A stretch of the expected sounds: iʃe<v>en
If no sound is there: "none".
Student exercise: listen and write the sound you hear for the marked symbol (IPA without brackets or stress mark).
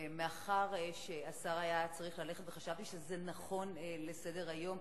z